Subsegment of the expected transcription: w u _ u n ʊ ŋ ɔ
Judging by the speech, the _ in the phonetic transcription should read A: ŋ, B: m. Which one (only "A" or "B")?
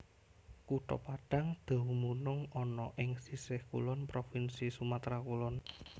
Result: B